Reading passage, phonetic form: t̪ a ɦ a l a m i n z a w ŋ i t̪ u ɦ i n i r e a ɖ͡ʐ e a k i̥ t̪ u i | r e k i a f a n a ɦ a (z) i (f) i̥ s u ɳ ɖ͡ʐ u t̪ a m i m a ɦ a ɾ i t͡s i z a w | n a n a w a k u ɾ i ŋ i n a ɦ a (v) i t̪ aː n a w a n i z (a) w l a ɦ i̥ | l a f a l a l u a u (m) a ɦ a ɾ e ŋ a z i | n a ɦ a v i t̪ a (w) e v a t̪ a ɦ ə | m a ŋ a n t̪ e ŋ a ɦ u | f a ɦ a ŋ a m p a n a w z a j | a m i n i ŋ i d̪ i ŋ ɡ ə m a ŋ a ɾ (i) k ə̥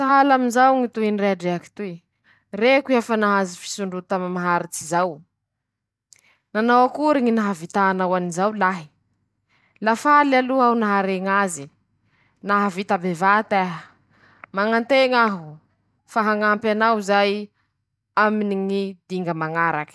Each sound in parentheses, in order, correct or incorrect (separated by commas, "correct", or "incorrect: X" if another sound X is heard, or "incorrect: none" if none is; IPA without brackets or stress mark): correct, correct, correct, correct, incorrect: n, incorrect: b, incorrect: a